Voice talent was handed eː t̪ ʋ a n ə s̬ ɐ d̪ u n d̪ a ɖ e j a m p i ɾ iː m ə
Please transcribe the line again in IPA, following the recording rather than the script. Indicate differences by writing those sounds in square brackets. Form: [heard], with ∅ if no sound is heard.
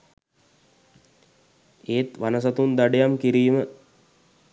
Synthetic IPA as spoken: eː t̪ ʋ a n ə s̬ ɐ [t̪] u n d̪ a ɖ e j a m [k] i ɾ iː m ə